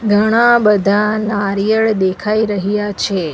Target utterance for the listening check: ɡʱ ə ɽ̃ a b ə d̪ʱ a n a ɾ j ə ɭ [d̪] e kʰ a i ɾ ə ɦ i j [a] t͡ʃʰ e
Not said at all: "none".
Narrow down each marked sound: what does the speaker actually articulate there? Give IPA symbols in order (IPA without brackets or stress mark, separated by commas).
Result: d̪, a